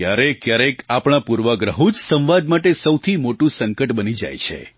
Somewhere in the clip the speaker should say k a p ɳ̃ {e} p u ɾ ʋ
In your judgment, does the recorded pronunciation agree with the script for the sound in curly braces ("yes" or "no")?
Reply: no